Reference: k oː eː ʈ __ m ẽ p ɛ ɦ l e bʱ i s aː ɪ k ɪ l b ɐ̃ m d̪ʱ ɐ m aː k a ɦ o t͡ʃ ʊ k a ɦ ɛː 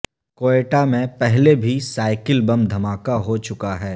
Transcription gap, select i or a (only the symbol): a